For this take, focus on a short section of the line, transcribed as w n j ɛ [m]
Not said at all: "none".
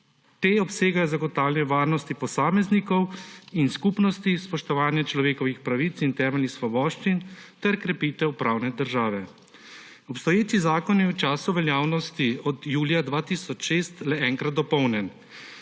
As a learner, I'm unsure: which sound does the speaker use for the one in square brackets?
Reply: n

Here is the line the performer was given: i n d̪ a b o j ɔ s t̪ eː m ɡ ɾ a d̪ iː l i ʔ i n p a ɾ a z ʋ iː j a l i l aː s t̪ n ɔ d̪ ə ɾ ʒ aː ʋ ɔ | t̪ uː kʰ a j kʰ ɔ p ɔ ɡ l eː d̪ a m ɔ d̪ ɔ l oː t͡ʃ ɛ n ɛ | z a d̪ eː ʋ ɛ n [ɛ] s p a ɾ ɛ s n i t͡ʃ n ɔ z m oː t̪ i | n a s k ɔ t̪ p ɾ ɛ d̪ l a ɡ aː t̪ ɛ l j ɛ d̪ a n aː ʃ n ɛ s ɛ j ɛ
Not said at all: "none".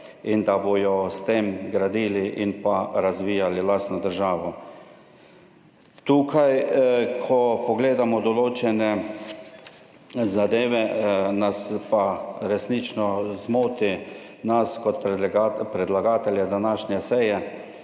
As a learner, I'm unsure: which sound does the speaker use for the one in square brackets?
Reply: a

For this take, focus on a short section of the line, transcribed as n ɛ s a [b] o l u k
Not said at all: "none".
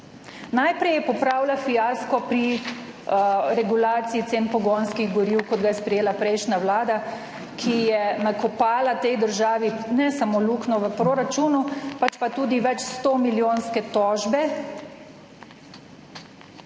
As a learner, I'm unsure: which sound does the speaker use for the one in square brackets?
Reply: m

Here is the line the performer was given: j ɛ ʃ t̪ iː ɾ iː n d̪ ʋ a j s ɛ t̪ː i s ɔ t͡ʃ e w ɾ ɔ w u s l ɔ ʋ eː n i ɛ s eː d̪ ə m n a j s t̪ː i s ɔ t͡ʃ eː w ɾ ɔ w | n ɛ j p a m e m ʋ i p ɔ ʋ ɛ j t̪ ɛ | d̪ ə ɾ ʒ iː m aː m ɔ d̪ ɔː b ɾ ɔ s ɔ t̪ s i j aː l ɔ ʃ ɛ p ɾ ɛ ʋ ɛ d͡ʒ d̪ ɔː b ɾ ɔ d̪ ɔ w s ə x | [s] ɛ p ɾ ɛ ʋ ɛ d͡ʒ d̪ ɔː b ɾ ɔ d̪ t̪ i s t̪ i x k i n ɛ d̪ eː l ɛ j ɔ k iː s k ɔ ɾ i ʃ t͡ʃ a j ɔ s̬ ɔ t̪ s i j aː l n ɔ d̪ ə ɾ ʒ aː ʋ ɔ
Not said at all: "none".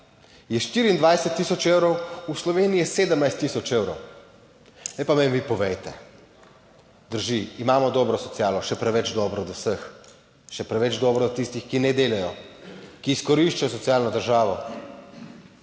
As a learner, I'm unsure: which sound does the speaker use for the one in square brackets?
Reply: ʃ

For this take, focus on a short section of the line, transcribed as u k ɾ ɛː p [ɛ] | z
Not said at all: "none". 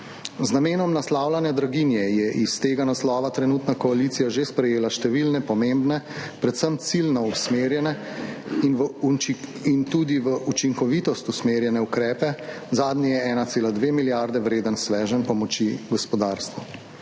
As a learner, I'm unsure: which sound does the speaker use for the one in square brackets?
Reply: ɛ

